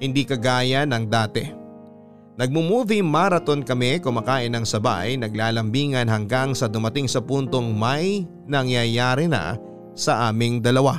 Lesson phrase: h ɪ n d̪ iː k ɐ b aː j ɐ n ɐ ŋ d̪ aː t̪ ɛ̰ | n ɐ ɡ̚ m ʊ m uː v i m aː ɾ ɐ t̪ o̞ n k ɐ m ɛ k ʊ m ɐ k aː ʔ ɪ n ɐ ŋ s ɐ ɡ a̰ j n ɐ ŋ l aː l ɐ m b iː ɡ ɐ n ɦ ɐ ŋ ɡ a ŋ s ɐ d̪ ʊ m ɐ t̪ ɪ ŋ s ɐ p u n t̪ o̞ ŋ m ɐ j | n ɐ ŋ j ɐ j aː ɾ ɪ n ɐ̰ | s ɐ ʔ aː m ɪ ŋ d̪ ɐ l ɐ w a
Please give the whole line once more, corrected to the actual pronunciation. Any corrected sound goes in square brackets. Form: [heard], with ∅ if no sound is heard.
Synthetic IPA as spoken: h ɪ n d̪ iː k ɐ [ɡ] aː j ɐ n ɐ ŋ d̪ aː t̪ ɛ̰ | n ɐ ɡ̚ m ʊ m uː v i m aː ɾ ɐ t̪ o̞ n k ɐ m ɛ k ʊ m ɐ k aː ʔ ɪ n ɐ ŋ s ɐ [b] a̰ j n ɐ [ɡ] l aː l ɐ m b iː [ŋ] ɐ n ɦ ɐ ŋ ɡ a ŋ s ɐ d̪ ʊ m ɐ t̪ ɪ ŋ s ɐ p u n t̪ o̞ ŋ m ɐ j | n ɐ ŋ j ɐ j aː ɾ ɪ n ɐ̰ | s ɐ ʔ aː m ɪ ŋ d̪ ɐ l ɐ w a